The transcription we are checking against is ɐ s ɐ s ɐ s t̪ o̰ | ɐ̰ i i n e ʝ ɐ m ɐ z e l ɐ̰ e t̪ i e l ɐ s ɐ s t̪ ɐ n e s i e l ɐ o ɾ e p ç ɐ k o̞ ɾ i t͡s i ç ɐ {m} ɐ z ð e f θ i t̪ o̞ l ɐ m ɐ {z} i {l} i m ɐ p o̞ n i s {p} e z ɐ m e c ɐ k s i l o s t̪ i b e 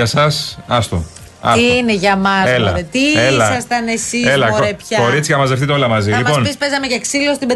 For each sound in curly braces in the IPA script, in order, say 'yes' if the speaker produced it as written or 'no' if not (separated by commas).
yes, yes, yes, yes